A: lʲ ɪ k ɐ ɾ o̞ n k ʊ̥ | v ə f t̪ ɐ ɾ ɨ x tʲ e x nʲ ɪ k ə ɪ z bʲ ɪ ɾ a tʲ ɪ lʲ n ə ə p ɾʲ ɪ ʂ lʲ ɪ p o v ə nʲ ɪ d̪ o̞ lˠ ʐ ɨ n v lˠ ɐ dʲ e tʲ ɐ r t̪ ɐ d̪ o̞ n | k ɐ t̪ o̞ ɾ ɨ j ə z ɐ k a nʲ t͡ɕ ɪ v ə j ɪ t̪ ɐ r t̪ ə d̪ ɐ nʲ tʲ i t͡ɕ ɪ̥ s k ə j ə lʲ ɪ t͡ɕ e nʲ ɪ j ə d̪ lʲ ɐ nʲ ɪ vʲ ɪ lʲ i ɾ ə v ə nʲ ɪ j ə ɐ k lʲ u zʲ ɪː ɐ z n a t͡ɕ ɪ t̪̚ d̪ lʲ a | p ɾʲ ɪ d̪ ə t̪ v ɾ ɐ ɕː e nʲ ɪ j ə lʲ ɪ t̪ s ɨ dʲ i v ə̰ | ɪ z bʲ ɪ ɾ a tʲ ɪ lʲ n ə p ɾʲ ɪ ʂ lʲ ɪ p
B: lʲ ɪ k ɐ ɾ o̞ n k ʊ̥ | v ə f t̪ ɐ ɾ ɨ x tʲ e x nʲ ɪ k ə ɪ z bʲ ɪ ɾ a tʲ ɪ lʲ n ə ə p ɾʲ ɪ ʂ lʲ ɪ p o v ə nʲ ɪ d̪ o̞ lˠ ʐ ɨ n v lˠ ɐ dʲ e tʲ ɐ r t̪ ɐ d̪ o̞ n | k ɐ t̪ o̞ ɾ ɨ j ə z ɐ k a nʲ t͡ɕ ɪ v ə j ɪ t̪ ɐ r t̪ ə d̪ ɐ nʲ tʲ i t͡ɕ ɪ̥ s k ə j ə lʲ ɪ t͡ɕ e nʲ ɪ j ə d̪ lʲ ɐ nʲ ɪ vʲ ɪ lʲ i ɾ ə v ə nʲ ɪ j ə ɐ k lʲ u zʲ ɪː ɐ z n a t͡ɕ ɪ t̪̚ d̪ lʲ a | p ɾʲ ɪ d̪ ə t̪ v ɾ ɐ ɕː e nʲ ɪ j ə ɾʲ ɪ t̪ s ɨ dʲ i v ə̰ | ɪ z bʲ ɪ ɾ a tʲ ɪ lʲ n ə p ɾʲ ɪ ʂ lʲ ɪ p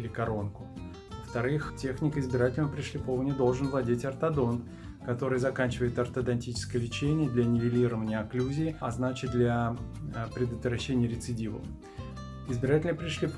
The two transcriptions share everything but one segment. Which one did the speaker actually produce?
B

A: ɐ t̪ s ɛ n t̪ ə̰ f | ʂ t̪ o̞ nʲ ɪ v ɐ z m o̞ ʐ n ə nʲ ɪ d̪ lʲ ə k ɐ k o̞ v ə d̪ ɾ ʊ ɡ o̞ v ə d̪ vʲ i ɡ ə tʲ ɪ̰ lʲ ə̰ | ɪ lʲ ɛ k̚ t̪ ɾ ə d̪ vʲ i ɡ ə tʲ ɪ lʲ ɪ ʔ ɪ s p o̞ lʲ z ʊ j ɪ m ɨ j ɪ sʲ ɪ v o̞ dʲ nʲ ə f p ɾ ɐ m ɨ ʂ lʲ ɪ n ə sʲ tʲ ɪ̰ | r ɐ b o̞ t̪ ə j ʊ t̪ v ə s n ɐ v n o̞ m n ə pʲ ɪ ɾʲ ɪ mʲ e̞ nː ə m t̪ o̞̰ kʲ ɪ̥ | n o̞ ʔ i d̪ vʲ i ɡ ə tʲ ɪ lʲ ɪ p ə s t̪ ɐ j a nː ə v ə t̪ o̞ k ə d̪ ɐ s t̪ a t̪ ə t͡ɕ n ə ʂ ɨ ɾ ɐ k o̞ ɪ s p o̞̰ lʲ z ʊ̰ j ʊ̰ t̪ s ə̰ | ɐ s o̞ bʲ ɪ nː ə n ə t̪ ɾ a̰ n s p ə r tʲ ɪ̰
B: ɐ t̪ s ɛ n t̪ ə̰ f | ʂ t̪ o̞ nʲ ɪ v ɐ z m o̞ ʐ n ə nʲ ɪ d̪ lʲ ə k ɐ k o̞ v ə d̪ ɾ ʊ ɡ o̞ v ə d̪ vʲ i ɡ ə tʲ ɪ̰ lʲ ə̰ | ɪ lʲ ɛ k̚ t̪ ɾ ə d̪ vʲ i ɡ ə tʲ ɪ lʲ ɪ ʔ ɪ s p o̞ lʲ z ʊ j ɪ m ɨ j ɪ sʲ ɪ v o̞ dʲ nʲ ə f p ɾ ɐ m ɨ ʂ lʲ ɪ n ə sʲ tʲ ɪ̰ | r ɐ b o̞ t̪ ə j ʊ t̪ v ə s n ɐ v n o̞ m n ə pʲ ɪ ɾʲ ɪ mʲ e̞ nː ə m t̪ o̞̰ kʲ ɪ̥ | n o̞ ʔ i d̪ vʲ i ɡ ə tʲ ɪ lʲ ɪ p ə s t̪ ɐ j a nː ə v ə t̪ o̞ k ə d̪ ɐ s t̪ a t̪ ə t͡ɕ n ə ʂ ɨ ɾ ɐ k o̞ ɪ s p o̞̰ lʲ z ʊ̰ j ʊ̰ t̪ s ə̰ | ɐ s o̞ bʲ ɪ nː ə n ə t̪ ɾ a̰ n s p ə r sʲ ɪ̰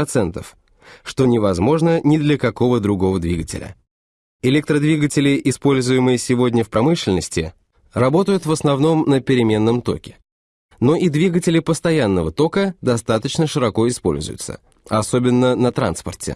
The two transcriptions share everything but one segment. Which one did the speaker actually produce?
A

